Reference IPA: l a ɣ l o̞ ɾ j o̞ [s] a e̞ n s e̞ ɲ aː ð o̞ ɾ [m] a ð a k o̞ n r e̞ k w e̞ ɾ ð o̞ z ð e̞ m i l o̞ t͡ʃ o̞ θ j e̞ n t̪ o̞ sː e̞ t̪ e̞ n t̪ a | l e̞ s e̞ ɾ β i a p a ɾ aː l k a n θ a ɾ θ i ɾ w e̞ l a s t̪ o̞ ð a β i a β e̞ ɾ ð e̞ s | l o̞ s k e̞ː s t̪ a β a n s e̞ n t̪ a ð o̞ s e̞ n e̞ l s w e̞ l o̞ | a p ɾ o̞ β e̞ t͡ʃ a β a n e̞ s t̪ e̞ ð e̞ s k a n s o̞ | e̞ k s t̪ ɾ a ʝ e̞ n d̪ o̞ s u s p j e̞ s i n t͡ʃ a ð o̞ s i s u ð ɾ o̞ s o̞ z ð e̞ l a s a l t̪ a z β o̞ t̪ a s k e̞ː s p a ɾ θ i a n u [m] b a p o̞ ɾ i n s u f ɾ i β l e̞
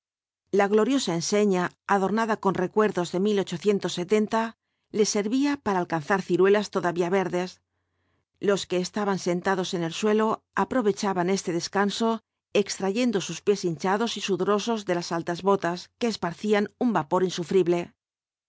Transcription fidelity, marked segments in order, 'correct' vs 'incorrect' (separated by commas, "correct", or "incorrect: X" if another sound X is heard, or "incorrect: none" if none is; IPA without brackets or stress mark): correct, incorrect: n, correct